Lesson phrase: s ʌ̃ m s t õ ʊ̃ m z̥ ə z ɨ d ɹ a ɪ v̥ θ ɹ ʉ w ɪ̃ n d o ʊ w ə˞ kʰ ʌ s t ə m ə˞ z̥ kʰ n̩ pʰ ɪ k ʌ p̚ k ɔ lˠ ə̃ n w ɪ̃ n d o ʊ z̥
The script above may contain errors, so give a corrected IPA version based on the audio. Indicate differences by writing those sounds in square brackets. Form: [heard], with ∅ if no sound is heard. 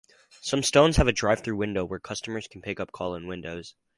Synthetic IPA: s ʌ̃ m s t õ ʊ̃ [n] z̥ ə [v] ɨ d ɹ a ɪ v̥ θ ɹ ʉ w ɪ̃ n d o ʊ w ə˞ kʰ ʌ s t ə m ə˞ z̥ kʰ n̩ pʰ ɪ k ʌ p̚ [kʰ] ɔ lˠ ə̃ n w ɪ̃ n d o ʊ z̥